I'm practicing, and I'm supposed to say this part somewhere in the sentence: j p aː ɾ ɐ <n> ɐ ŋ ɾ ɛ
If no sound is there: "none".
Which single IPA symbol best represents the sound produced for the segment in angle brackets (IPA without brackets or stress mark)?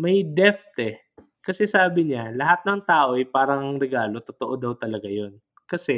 ŋ